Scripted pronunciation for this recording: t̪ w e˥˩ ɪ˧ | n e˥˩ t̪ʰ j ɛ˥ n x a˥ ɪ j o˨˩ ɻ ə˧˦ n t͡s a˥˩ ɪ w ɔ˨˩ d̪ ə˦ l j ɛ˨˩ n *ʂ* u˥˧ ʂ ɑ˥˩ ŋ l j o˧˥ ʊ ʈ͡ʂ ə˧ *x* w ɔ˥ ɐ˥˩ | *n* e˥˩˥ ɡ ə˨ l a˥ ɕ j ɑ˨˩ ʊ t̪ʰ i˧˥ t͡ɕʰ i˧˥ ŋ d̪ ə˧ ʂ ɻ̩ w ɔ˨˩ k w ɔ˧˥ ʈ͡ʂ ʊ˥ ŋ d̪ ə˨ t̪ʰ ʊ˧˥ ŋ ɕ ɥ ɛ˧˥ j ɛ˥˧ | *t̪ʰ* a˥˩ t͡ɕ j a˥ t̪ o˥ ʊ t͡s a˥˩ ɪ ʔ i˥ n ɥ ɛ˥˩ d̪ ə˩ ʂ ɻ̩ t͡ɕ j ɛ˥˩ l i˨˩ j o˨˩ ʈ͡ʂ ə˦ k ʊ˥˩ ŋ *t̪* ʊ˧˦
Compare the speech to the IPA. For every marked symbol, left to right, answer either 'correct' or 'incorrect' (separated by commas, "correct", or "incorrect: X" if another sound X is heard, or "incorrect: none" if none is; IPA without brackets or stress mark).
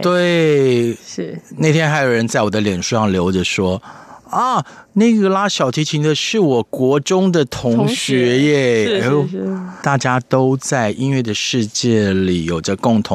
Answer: correct, incorrect: ʂ, correct, incorrect: t̪, incorrect: t̪ʰ